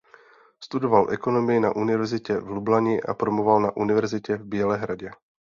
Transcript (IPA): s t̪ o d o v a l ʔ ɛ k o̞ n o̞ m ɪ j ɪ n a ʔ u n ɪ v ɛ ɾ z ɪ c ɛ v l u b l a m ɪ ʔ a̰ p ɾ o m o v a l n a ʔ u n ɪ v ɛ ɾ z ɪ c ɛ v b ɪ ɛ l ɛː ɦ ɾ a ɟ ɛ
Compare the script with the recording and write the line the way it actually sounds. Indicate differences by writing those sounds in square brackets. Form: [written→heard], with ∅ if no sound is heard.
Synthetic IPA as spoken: s t̪ [o→u] d o v a l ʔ ɛ k o̞ n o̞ m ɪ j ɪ n a ʔ u n ɪ v ɛ ɾ z ɪ c ɛ v l u b l a [m→ɲ] ɪ ʔ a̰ p ɾ o m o v a l n a ʔ u n ɪ v ɛ ɾ z ɪ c ɛ v b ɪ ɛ l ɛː ɦ ɾ a ɟ ɛ